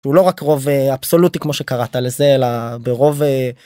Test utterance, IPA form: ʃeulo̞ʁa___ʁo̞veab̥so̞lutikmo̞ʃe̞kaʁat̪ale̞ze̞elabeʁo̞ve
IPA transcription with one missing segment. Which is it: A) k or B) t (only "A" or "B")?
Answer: A